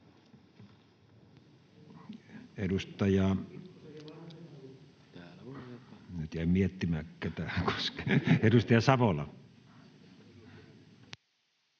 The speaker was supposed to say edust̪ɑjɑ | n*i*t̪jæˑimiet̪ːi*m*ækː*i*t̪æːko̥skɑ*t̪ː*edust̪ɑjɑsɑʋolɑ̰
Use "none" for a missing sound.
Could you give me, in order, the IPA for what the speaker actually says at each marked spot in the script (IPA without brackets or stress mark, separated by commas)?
y, m, æ, none